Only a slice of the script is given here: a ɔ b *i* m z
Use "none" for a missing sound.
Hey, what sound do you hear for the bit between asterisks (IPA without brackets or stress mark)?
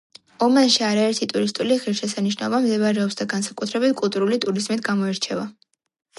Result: a